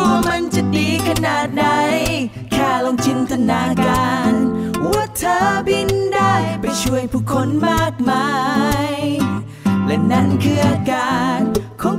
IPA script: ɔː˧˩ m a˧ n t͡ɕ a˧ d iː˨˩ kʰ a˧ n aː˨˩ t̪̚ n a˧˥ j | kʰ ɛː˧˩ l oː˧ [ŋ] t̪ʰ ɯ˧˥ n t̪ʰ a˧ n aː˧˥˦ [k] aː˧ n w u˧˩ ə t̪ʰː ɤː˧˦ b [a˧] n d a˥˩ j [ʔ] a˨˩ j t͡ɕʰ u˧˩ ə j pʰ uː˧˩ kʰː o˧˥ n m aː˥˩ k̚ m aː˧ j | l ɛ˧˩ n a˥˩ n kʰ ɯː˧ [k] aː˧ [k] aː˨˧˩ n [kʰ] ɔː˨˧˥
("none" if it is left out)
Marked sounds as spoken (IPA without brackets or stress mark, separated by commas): ŋ, k, i˧, p, ʔ, k, kʰ